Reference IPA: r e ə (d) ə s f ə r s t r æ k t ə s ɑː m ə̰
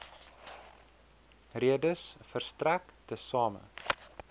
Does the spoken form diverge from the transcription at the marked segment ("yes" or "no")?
no